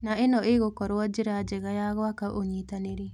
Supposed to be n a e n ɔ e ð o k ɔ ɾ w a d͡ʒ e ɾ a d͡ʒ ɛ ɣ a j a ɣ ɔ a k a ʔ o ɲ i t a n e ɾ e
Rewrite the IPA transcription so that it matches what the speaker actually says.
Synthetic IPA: n a e n ɔ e ɣ o k ɔ ɾ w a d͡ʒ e ɾ a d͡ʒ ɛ ɣ a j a ɣ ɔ a k a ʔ o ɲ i t a n e ɾ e

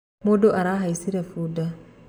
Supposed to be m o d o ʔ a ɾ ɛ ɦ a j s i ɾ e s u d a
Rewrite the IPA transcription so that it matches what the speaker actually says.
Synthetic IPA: m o d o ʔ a ɾ a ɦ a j s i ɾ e f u d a

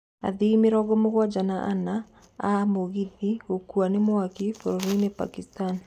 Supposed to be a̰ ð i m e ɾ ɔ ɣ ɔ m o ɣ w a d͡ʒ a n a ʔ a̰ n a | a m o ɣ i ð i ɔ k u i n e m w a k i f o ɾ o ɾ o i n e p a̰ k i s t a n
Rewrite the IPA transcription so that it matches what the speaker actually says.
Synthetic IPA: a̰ ð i m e ɾ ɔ ɣ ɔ m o ɣ w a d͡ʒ a n a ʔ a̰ n a | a m o ɣ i ð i o k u a n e m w a k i f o ɾ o ɾ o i n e p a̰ k i s t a n

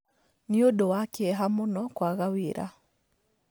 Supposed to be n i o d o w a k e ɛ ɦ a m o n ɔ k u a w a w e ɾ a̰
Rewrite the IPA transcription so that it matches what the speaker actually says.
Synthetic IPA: n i o d o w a k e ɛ ɦ a m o n ɔ k w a ɣ a w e ɾ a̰

